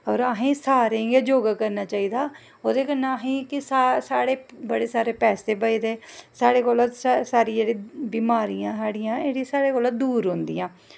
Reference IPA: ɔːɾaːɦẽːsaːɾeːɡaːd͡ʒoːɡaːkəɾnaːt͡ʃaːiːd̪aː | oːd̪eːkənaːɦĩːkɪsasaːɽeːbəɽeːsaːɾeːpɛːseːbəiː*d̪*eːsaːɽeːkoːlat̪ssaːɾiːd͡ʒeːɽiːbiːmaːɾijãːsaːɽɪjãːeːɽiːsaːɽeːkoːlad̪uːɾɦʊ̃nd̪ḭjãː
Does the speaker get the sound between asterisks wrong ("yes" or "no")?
no